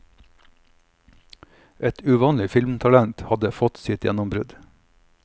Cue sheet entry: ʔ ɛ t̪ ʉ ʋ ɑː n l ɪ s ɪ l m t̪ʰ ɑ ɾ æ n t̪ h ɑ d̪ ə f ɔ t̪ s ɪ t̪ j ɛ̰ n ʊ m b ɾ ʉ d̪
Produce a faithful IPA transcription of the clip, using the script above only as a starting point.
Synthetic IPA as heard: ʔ ɛ t̪ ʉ ʋ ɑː n l ɪ f ɪ l m t̪ʰ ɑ l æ n t̪ h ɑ d̪ ə f ɔ t̪ s ɪ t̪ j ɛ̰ n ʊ m b ɾ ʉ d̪